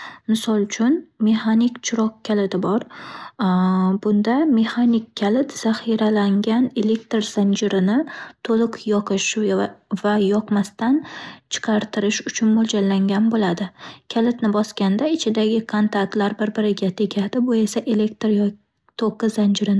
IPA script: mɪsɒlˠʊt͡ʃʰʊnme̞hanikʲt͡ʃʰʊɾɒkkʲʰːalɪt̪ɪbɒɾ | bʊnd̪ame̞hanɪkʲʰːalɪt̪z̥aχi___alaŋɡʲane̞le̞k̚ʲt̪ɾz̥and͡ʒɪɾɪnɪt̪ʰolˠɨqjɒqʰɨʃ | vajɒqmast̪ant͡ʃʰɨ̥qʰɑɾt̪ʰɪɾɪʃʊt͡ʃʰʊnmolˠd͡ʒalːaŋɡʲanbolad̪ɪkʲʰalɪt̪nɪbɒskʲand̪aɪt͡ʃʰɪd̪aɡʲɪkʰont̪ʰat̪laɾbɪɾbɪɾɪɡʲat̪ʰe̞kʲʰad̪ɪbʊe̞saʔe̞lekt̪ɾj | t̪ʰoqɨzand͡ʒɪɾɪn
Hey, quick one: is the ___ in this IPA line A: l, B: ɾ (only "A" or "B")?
B